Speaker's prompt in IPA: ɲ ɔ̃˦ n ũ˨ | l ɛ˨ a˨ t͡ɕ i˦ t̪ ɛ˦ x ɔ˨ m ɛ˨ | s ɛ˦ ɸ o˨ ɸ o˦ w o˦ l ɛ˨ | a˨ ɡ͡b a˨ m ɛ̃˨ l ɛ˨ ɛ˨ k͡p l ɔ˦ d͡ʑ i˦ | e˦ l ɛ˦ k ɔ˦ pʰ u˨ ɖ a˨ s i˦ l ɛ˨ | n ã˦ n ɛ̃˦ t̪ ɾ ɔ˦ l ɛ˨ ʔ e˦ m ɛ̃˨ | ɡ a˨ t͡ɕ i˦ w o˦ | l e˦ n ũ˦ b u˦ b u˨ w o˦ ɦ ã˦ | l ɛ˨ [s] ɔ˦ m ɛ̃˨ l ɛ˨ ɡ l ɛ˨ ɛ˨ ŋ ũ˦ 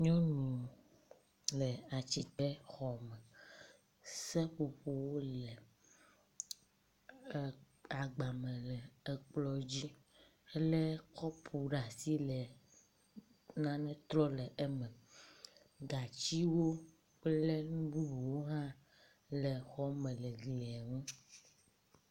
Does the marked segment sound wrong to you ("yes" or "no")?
yes